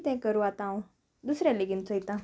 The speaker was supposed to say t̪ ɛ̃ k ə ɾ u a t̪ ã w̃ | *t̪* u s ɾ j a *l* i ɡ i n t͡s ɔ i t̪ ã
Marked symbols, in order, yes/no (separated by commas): no, yes